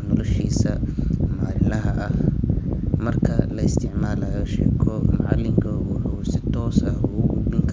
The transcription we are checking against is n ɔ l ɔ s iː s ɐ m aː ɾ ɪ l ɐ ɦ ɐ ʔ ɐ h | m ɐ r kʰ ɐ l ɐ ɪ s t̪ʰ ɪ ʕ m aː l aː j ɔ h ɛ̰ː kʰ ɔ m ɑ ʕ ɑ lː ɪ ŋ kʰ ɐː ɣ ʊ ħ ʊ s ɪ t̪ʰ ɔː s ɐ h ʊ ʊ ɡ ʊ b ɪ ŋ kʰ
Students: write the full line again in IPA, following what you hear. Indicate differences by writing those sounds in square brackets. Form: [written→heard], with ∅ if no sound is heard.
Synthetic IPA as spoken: n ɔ l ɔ [s→ʃ] iː s ɐ m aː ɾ ɪ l ɐ ɦ ɐ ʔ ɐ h | m ɐ r kʰ ɐ l ɐ ɪ s t̪ʰ ɪ ʕ m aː l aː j ɔ [h→ʃ] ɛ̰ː kʰ ɔ m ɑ ʕ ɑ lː ɪ ŋ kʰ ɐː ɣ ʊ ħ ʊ s ɪ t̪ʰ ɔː s ɐ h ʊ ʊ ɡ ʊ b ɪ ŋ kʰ